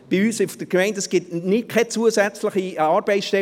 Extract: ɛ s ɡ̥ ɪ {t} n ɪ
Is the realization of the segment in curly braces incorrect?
no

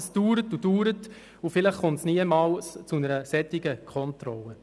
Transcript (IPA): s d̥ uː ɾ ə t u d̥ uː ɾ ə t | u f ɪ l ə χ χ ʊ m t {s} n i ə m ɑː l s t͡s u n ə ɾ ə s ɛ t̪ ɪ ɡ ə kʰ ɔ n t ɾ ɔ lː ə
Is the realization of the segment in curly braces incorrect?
no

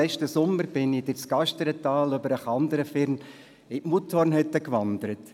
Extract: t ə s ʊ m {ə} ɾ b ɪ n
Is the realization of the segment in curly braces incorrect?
no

